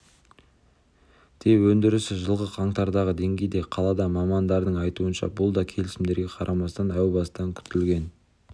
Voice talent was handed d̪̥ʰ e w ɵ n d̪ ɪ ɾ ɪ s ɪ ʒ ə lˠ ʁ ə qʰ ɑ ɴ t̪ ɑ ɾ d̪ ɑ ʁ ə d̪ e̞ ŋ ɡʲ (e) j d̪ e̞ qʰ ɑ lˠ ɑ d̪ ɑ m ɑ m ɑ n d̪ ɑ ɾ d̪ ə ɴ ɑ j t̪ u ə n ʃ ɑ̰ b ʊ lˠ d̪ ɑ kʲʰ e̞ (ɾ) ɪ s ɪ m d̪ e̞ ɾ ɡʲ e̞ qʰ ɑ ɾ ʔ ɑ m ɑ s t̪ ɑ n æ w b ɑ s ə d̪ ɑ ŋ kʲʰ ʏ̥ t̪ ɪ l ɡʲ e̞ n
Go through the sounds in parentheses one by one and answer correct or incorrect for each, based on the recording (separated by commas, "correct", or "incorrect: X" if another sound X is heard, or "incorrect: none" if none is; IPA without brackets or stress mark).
correct, incorrect: l